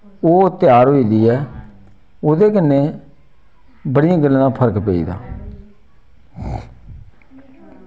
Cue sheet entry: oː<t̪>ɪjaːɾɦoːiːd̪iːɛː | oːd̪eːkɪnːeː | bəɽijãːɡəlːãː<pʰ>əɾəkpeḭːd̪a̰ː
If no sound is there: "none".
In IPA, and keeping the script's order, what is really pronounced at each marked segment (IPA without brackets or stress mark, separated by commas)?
t̪, pʰ